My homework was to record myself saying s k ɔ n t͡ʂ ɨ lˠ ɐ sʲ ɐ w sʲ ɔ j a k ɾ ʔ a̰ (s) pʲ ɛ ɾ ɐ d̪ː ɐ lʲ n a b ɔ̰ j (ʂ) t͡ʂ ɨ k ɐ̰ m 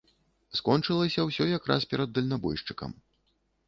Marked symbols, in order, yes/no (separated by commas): yes, yes